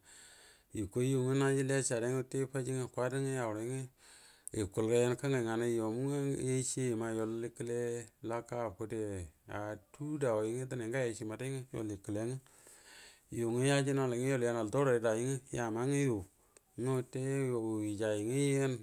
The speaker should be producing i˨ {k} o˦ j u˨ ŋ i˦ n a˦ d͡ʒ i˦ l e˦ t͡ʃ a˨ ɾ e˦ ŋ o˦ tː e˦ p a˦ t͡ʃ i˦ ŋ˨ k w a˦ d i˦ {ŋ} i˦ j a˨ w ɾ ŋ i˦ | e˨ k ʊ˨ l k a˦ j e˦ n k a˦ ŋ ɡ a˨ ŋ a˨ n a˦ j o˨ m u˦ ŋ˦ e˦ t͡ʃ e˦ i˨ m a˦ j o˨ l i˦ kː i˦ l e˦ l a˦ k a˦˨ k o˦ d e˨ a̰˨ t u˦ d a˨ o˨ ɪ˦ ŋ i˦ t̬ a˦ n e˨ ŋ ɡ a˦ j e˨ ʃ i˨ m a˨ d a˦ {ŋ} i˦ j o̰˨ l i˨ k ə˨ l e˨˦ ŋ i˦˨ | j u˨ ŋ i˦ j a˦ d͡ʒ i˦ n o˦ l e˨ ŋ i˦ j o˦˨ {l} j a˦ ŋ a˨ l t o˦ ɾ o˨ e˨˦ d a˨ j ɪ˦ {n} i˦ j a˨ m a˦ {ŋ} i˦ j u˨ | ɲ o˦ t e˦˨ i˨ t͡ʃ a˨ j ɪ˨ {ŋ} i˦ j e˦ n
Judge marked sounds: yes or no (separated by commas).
yes, yes, yes, yes, no, yes, yes